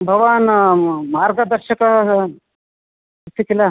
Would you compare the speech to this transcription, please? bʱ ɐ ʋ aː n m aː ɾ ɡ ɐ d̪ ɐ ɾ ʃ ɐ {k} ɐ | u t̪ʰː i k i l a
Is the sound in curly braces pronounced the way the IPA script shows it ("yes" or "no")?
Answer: yes